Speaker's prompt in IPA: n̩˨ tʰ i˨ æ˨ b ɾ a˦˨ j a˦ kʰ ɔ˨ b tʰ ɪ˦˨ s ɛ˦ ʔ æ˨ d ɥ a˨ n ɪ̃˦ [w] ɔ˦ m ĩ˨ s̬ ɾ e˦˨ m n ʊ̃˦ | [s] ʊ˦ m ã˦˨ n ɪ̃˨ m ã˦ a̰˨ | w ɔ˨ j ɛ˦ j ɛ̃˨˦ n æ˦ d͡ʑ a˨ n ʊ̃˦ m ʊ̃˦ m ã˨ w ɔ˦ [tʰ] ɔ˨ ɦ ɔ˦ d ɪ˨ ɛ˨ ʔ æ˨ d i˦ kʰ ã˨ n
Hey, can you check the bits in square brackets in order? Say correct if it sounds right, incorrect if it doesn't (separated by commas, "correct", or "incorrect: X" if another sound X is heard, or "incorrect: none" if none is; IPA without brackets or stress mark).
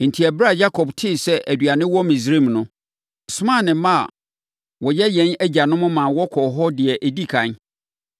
correct, correct, incorrect: kʰ